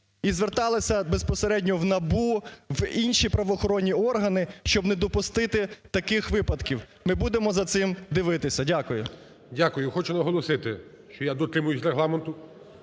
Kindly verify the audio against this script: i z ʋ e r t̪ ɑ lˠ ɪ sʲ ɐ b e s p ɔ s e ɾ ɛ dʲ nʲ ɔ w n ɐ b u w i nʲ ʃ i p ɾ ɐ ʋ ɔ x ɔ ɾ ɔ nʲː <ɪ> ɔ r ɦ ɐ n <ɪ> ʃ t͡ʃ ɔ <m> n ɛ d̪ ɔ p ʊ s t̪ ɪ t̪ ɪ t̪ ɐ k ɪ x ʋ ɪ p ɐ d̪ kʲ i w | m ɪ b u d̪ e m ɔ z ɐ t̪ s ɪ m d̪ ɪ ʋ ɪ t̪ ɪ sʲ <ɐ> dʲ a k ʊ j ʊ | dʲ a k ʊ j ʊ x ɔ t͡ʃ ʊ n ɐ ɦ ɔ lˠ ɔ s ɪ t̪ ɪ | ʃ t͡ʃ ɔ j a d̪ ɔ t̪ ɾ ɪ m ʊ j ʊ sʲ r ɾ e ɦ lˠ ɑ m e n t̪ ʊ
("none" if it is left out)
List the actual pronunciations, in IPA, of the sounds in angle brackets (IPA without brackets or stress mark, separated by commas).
i, ɪ, b, ɐ